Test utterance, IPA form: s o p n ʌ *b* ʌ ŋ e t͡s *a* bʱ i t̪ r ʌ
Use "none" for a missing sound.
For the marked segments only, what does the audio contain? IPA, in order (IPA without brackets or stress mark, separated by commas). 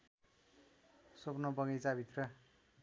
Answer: b, a